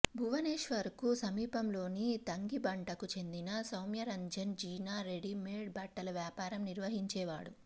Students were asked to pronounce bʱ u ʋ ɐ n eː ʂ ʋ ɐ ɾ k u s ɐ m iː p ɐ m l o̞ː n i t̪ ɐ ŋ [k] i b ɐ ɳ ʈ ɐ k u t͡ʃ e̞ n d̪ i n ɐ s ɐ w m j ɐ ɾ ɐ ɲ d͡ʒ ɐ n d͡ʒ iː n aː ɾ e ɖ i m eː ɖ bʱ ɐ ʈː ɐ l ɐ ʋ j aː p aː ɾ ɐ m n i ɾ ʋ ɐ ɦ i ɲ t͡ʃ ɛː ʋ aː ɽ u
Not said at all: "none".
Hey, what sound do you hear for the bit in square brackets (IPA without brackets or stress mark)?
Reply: ɡ